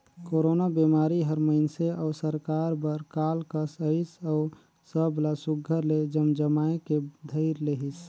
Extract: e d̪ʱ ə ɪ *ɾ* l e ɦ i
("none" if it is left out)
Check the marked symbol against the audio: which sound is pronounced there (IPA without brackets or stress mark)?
ɾ